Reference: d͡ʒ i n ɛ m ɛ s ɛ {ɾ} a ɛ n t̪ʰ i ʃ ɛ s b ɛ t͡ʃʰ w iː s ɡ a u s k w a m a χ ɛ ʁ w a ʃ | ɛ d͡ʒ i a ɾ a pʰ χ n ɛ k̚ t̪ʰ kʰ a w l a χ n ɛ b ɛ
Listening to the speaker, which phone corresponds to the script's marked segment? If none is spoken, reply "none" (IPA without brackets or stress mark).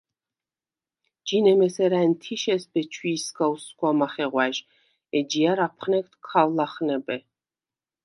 ɾ